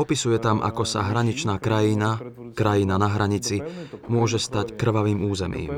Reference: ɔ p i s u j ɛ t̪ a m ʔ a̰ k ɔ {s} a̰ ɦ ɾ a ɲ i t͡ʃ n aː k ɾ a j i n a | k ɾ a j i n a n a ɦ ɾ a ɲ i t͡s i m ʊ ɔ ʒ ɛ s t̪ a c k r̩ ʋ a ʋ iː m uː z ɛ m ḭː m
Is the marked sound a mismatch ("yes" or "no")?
no